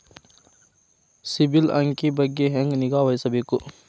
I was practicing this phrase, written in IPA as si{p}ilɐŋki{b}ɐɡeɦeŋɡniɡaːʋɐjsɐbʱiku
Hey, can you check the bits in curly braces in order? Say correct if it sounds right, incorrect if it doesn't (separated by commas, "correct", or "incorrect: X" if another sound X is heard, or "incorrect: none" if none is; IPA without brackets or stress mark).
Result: incorrect: b, correct